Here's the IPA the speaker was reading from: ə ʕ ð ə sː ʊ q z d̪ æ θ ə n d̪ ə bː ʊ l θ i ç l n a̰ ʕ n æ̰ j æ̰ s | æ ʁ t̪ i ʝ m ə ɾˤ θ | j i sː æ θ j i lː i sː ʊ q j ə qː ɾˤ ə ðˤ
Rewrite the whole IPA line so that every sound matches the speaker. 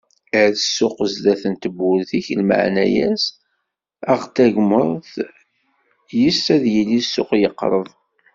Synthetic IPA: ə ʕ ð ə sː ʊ q z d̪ æ θ ə n t̪ ə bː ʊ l θ i ç l m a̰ ʕ n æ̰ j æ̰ s | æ ʁ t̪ æ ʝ m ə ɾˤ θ | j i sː æ ð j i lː i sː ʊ q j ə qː ɾˤ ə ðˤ

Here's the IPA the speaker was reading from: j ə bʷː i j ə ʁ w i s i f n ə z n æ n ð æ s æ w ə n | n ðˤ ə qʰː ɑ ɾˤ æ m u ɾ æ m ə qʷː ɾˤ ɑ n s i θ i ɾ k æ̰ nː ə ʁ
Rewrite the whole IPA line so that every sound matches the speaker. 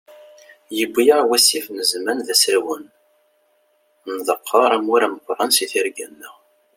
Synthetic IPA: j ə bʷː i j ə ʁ w æ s i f n ə z m æ n ð æ s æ w ə n | n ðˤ ə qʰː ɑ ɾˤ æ m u ɾ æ m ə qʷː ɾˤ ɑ n s i θ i ɾ ɡ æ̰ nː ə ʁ

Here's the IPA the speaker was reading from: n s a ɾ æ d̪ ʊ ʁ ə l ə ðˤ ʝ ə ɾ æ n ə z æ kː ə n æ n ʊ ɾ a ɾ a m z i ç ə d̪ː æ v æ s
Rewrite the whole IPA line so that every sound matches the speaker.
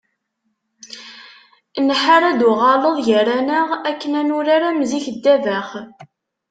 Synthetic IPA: n ħ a ɾ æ d̪ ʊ ʁ ɑ l ə ðˤ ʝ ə ɾ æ n ə ʁ æ kː ə n æ n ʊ ɾ a ɾ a m z i ç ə d̪ː æ v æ χ

